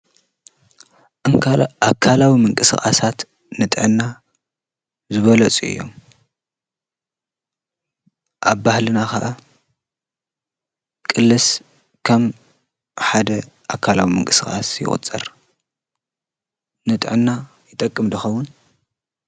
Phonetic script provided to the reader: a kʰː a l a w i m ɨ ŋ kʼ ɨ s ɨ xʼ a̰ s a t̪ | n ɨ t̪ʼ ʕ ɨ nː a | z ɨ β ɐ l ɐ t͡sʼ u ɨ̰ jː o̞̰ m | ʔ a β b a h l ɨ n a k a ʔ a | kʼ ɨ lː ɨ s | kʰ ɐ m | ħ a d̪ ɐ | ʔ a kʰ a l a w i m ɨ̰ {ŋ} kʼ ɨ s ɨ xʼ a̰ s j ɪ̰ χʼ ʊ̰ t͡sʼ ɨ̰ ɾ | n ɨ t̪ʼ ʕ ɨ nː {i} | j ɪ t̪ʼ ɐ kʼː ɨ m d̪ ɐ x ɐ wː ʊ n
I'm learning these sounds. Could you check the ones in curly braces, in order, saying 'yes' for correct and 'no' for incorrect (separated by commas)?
yes, no